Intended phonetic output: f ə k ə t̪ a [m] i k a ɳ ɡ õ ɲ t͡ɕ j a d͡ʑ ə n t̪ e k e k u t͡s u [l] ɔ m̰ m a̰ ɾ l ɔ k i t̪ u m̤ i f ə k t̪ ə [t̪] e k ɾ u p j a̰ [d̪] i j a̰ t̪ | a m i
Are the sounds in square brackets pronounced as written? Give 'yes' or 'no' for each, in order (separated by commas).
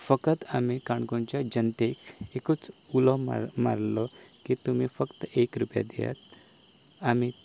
yes, yes, no, yes